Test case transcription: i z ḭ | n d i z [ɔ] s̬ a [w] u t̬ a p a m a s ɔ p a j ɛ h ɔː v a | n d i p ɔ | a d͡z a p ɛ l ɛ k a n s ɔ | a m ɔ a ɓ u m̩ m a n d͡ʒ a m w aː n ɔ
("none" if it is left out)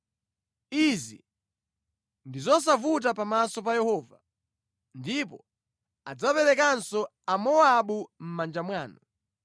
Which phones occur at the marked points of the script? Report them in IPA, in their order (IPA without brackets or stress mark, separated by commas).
ɔ, v